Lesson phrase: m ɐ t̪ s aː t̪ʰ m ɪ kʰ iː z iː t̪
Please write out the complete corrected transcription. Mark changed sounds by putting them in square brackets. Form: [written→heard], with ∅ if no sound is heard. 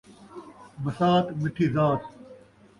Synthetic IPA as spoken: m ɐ [t̪→∅] s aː [t̪ʰ→t̪] m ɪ [kʰ→ʈʰ] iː z [iː→aː] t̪